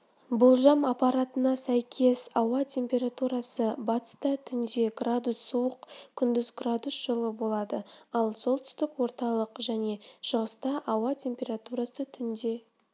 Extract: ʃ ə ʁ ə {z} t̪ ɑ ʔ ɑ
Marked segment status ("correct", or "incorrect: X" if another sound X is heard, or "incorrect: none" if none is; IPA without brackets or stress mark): incorrect: s